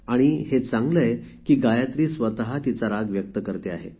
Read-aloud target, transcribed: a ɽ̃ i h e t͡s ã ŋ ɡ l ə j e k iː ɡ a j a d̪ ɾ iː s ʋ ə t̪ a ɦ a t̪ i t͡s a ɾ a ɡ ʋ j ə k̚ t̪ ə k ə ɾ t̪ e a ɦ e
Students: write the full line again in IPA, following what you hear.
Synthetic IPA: a ɽ̃ i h e t͡s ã ŋ ɡ l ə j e k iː ɡ a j a t̪ ɾ iː s ʋ ə t̪ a ɦ a t̪ i t͡s a ɾ a ɡ ʋ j ə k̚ t̪ ə k ə ɾ t̪ e a ɦ e